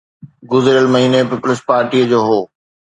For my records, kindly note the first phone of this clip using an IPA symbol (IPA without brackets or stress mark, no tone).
ɡ